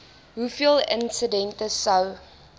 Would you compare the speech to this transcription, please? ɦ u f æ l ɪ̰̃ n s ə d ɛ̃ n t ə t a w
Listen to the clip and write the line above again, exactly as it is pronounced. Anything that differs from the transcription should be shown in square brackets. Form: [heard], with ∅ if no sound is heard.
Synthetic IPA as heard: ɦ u f [i] l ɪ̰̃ n s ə d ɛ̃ n t ə [s] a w